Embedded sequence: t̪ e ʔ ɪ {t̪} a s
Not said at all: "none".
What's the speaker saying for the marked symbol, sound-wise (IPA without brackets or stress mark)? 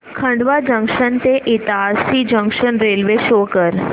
t̪